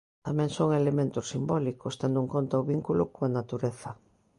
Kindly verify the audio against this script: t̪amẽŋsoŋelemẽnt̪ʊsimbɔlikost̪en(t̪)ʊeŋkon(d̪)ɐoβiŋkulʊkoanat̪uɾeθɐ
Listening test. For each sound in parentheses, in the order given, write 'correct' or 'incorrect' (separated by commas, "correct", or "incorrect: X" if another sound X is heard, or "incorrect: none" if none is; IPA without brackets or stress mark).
incorrect: d̪, incorrect: t̪